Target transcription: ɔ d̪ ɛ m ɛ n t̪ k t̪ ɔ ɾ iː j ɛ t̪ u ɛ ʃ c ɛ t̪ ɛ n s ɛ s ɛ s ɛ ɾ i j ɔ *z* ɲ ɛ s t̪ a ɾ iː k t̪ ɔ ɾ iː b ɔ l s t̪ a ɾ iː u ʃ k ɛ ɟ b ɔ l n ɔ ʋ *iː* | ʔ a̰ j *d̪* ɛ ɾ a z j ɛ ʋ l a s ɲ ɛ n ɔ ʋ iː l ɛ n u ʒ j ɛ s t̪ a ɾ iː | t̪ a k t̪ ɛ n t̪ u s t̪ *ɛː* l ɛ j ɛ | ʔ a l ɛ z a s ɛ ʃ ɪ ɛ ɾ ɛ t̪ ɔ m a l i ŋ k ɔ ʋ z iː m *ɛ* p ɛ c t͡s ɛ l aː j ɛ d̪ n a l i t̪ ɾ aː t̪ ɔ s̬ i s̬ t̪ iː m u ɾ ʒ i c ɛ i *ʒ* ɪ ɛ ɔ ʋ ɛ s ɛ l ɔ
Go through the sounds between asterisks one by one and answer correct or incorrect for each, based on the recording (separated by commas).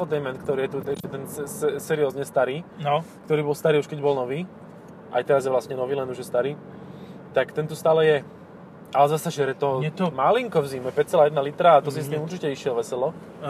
correct, correct, incorrect, incorrect, correct, incorrect